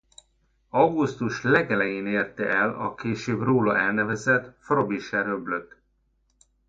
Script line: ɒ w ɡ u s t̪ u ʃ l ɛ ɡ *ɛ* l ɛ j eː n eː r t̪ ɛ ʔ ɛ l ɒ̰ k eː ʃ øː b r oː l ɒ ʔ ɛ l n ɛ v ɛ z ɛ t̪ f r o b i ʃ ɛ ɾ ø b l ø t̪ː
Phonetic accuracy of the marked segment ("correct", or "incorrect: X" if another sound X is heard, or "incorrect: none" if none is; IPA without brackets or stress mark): correct